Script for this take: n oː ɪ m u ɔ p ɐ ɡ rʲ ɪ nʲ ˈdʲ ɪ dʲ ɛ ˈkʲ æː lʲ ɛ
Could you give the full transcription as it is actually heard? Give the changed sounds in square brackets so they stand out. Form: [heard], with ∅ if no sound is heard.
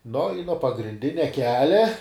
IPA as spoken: n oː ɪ [n] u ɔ p ɐ ɡ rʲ ɪ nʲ ˈdʲ ɪ [nʲ] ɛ ˈkʲ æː lʲ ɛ